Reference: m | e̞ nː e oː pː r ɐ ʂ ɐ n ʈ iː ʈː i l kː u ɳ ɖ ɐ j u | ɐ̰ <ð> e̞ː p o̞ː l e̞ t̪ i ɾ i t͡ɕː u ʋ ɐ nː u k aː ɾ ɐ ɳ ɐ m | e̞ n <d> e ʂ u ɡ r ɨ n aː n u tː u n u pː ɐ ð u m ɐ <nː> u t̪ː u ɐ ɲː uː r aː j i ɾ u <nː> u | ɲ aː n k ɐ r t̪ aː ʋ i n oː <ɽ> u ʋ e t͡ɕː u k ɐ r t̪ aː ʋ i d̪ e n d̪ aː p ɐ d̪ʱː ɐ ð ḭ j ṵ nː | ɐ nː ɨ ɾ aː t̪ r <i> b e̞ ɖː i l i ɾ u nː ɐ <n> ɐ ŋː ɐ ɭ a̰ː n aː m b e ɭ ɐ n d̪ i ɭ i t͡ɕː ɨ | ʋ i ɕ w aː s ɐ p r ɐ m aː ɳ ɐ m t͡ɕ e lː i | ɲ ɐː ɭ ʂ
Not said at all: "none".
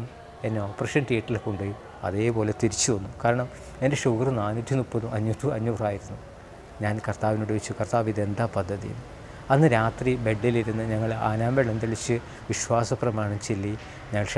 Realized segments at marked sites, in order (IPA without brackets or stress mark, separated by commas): ð, d, ɲː, nː, ɽ, i, ɲ